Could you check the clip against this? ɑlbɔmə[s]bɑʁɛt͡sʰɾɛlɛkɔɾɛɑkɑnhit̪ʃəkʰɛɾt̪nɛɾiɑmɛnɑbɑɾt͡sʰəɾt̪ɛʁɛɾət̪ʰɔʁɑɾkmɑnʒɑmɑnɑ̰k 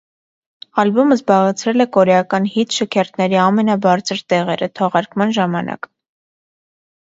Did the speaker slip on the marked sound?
yes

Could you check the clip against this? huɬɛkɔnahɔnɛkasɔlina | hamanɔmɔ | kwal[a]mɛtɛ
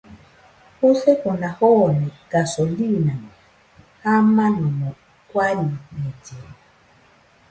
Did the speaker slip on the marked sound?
yes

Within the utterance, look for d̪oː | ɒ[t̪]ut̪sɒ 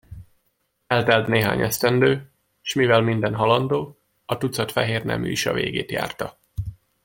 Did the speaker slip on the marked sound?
no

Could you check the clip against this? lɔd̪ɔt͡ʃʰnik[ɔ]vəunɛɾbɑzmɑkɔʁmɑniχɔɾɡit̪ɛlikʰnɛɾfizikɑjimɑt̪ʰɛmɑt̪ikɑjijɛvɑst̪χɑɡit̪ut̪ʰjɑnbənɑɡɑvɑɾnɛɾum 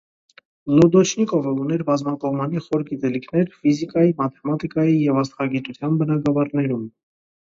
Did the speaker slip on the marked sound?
no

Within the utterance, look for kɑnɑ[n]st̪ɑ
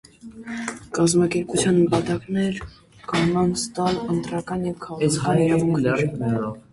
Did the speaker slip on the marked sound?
no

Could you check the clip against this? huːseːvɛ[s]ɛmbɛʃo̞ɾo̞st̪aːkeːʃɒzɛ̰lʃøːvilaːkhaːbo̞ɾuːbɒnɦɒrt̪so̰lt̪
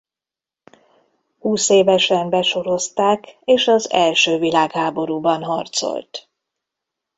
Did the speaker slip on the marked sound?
yes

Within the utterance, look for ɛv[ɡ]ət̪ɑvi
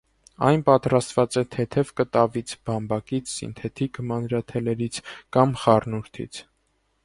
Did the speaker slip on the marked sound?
yes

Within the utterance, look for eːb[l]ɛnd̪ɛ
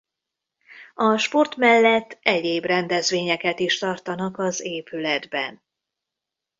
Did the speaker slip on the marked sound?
yes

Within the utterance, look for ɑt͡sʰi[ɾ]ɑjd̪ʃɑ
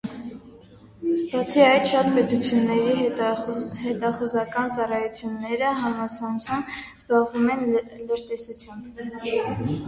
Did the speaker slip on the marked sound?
yes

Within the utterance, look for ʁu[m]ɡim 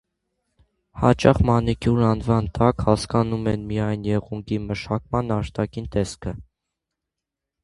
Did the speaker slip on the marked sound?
yes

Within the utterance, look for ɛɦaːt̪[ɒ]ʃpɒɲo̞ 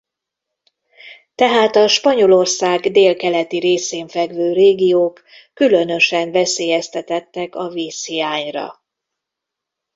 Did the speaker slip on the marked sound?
no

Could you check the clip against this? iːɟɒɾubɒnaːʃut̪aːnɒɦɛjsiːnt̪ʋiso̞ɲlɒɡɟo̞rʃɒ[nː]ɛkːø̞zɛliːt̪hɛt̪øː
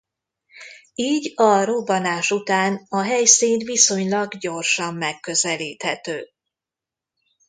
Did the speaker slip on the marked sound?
yes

